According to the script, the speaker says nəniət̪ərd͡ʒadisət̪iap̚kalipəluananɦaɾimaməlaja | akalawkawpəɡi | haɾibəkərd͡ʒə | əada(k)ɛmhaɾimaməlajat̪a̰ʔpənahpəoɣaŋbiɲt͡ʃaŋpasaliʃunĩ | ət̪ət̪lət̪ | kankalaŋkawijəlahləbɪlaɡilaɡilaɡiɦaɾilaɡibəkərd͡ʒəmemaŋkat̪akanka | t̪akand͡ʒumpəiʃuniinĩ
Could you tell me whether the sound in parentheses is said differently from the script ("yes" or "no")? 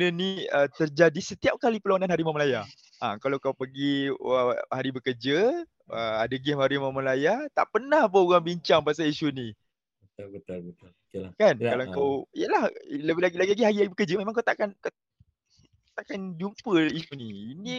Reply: yes